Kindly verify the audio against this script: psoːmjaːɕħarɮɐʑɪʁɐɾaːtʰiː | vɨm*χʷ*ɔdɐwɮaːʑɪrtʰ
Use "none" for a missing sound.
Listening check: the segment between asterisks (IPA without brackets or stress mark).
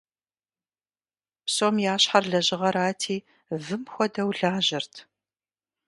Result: xʷ